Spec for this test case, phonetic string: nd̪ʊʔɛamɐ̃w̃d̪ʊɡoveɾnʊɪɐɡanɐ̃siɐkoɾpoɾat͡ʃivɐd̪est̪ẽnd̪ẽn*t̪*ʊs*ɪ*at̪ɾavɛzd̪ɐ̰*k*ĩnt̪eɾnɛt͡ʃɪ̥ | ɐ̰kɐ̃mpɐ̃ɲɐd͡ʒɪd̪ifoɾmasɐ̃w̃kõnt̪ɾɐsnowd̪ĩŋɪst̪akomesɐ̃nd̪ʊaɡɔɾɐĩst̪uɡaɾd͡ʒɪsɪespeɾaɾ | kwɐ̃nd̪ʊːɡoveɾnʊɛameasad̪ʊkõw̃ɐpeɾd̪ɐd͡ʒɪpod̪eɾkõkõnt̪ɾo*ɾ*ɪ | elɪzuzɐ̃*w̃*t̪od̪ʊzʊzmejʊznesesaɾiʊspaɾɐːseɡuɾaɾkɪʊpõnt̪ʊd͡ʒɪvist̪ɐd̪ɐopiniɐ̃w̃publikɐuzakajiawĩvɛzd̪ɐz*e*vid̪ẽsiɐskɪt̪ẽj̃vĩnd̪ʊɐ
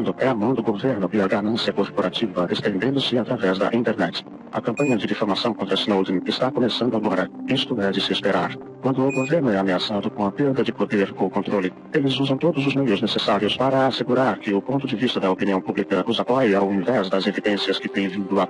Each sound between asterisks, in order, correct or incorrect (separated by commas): incorrect, correct, incorrect, incorrect, correct, correct